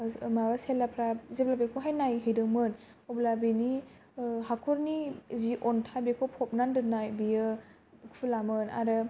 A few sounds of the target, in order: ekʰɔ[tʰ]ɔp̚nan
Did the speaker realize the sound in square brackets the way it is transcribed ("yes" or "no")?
no